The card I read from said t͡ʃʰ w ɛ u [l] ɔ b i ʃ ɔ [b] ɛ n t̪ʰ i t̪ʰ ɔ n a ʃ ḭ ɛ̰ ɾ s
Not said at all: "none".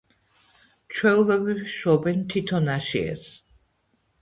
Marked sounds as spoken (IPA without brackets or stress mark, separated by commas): l, b